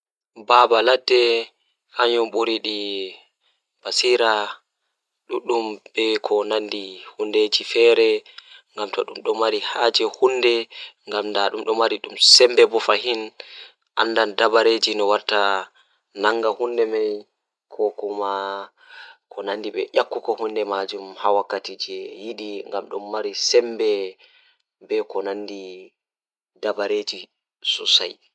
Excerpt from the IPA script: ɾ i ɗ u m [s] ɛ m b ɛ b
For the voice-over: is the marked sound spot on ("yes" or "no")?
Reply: yes